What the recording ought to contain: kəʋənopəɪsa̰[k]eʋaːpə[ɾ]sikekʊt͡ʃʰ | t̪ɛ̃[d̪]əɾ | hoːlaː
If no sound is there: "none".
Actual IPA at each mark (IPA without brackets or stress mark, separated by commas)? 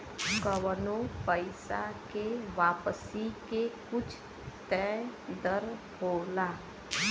k, none, d̪